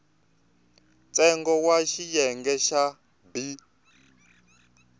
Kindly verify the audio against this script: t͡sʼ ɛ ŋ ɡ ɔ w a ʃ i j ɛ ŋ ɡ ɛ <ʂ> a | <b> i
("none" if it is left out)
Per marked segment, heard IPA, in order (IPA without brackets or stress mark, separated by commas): ʃ, b